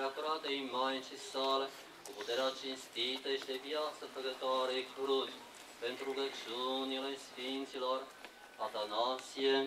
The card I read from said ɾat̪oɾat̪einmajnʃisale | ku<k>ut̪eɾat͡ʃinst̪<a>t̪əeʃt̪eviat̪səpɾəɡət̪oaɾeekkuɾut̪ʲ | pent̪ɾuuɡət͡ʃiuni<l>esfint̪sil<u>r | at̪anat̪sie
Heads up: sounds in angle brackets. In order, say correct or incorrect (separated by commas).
incorrect, incorrect, correct, incorrect